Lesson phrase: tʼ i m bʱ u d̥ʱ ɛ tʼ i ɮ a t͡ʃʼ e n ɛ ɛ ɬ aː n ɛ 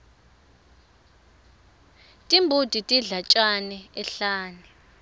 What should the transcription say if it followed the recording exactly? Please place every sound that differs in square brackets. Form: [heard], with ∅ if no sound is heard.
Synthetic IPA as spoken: tʼ i m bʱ u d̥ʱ [i] tʼ i ɮ a t͡ʃʼ [a] n ɛ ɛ ɬ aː n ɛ